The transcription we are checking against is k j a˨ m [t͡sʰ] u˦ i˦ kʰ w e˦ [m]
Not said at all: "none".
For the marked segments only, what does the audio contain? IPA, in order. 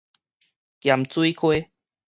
t͡s, none

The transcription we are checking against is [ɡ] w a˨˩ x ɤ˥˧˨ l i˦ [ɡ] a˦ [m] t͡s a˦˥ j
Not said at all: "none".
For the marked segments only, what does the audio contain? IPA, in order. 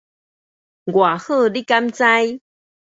ɡ, k, m

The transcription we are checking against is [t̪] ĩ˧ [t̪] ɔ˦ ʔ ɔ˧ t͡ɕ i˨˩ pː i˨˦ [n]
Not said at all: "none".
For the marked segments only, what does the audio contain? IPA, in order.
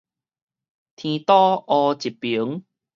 t̪ʰ, t̪, ŋ

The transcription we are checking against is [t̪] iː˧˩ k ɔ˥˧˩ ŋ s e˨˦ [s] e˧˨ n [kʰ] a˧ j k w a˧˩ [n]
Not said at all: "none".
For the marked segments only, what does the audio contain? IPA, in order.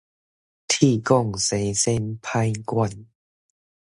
t̪ʰ, s, pʰ, n

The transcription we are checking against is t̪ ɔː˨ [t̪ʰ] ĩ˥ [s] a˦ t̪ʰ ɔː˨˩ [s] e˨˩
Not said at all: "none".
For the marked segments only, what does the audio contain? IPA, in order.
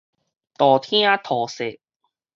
t̪ʰ, none, s

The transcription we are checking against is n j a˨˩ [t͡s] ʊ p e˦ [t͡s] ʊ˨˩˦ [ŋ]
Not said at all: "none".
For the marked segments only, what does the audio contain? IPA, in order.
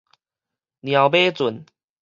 none, t͡s, n

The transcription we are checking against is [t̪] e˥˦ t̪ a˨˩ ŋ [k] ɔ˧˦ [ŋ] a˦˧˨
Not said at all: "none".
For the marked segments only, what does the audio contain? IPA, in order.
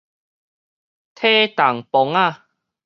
t̪ʰ, p, ŋ

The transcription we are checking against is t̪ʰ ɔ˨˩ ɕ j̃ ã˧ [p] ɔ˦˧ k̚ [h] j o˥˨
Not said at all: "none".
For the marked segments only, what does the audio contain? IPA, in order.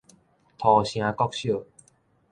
k, ɕ

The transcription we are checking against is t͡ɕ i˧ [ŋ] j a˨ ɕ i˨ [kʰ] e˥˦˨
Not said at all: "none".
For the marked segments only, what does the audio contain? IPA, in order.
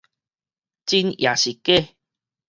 n, k

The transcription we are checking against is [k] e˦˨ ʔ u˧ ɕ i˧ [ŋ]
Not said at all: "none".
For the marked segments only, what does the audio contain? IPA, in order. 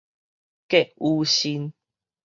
k, n

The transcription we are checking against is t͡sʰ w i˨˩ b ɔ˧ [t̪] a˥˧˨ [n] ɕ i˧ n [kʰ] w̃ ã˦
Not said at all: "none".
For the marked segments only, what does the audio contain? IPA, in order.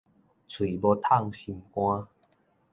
t̪ʰ, ŋ, k

